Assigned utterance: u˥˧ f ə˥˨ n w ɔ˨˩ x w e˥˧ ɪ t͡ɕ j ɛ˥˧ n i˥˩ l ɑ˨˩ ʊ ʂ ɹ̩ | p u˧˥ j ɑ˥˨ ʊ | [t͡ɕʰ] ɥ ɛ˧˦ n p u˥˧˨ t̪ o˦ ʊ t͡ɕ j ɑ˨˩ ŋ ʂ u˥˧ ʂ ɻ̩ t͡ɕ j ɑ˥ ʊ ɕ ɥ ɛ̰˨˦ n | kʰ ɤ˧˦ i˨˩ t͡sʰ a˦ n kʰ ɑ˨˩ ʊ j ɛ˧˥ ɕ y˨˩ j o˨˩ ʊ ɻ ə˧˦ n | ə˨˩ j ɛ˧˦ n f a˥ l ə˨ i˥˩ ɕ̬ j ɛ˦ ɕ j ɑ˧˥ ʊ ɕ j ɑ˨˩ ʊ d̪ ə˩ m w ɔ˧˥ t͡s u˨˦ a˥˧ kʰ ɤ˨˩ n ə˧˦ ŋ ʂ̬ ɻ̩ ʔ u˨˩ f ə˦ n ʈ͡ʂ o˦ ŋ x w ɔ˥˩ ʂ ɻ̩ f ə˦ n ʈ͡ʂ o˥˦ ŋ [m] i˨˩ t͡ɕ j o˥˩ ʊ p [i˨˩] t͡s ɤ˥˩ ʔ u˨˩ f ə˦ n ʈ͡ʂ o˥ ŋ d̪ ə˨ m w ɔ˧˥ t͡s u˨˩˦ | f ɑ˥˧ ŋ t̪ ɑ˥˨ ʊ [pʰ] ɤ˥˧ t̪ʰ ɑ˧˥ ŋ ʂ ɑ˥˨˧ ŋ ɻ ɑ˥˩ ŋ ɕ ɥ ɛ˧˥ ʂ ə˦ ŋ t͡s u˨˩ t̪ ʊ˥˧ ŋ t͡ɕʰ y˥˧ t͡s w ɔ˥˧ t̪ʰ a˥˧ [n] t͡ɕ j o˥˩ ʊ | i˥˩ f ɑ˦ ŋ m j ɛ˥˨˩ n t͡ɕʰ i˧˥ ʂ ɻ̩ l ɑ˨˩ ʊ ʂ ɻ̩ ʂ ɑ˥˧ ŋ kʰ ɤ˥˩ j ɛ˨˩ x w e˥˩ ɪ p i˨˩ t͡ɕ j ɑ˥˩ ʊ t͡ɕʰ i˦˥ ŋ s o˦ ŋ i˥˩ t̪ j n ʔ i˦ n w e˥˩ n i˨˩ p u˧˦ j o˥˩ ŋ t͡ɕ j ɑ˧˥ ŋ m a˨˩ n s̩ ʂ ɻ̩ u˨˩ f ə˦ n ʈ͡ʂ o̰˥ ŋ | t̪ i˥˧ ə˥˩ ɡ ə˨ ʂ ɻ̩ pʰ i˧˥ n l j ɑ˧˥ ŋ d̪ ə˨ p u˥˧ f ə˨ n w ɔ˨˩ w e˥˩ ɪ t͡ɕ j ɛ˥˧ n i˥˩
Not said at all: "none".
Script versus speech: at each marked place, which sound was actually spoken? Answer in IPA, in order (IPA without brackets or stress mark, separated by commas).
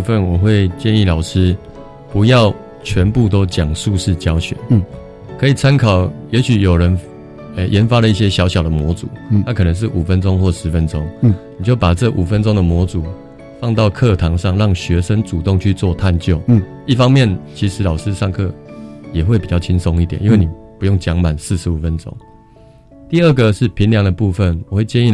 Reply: t͡ɕʰ, n, a˨˩, kʰ, n